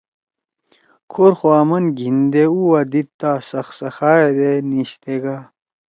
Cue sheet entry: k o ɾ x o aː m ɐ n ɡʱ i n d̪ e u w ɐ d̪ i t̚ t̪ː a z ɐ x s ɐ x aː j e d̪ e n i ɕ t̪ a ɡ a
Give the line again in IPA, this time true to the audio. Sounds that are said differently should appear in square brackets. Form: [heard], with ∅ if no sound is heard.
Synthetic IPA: [kʰ] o ɾ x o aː m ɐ n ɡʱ i n d̪ e u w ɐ d̪ i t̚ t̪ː a [s] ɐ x s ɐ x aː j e d̪ e n i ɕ t̪ [e] ɡ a